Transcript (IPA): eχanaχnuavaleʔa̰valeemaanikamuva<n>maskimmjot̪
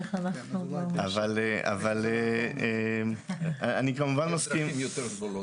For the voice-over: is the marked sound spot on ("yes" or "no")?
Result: yes